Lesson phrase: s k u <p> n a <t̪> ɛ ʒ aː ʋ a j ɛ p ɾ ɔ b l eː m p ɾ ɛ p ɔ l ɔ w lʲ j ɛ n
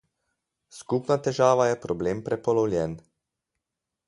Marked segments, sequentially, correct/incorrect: correct, correct

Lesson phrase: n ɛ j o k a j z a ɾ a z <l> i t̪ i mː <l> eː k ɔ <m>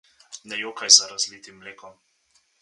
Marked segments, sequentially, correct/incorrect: correct, correct, correct

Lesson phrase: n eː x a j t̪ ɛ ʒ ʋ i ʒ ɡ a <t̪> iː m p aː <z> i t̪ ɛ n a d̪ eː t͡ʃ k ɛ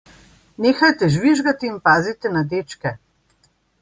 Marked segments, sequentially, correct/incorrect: correct, correct

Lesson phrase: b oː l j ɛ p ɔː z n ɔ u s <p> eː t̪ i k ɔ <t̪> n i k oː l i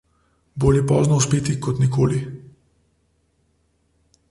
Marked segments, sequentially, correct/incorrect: correct, correct

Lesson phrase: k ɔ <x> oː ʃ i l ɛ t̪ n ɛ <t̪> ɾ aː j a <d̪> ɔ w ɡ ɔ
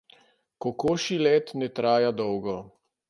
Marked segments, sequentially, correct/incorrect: incorrect: k, correct, correct

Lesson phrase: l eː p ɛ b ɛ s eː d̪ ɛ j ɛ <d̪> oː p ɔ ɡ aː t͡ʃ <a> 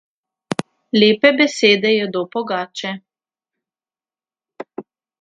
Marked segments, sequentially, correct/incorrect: correct, incorrect: ɛ

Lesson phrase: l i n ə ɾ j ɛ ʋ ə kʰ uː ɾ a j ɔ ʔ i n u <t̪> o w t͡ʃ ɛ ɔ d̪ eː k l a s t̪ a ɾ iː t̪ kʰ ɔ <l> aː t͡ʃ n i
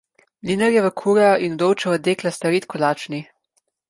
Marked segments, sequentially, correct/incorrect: incorrect: d̪, correct

